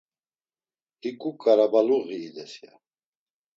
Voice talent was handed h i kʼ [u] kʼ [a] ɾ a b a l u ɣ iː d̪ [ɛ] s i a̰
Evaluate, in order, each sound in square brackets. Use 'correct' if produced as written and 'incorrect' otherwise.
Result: correct, correct, correct

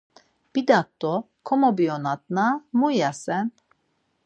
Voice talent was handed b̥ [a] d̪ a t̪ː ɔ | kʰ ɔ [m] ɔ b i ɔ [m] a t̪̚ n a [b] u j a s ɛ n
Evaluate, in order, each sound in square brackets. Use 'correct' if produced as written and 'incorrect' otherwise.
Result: incorrect: i, correct, incorrect: n, incorrect: m

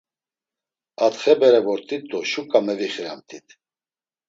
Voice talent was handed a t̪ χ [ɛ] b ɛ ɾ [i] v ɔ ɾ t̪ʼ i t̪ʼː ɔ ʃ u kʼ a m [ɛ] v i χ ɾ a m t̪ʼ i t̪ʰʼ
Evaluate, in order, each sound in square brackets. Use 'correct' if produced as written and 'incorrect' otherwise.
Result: correct, incorrect: ɛ, correct

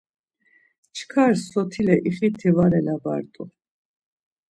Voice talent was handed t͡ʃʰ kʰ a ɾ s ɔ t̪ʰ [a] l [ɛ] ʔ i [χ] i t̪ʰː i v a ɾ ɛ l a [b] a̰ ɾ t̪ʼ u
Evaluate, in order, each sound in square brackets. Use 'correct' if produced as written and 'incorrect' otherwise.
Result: incorrect: i, correct, correct, correct

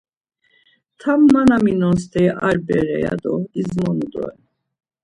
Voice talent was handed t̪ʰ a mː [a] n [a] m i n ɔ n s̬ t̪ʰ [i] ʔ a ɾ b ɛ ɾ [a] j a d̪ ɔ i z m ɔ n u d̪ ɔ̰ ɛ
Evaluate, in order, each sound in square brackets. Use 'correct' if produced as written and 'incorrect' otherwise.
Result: correct, correct, incorrect: ɛ, incorrect: ɛ

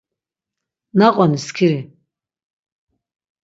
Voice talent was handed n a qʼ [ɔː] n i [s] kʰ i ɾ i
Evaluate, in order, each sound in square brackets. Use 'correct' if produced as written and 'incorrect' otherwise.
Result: incorrect: ɔ, correct

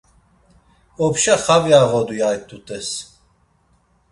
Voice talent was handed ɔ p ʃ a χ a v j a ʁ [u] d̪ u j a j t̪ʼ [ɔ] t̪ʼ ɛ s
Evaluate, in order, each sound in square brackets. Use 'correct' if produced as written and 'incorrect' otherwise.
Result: incorrect: ɔ, incorrect: u

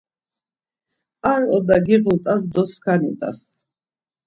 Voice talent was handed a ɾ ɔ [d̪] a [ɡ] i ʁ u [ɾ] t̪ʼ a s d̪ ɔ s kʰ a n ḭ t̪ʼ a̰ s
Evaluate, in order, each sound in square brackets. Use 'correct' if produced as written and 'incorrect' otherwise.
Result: correct, correct, incorrect: none

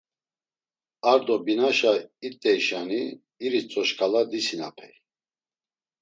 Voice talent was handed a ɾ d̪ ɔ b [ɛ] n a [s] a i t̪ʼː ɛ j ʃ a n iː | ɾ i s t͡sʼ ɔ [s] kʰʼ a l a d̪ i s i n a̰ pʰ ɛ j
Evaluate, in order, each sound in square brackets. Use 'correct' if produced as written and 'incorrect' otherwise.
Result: incorrect: i, incorrect: ʃ, incorrect: ʃ

